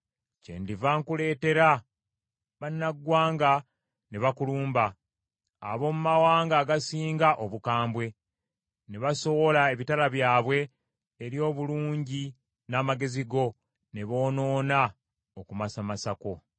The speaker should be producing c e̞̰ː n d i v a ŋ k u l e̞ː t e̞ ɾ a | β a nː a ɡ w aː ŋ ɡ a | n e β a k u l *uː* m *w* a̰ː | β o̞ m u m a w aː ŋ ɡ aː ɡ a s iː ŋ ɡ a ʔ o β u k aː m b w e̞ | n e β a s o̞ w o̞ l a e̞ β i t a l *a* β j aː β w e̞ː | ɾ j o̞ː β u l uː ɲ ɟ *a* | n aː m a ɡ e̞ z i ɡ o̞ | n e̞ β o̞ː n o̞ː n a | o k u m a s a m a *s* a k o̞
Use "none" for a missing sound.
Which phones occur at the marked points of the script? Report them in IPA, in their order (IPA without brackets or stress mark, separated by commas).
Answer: uː, b, a, i, s